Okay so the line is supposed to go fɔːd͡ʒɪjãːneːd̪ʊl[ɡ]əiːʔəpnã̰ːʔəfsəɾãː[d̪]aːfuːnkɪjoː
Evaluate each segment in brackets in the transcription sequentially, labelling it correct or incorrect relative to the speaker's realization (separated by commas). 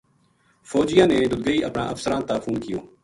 correct, incorrect